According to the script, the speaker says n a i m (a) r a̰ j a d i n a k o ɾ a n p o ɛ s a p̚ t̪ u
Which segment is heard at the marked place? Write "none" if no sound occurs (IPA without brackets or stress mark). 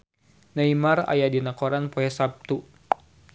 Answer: a